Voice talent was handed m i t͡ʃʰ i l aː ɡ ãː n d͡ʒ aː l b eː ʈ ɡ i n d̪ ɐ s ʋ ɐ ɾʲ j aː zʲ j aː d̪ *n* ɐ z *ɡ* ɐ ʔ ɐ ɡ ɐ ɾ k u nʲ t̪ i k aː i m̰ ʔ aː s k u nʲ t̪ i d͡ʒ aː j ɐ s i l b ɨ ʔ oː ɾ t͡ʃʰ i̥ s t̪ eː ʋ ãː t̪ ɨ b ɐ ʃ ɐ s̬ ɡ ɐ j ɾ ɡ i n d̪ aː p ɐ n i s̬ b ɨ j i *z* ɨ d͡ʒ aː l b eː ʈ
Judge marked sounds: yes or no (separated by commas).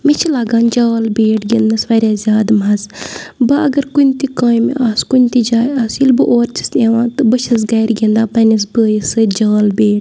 no, no, no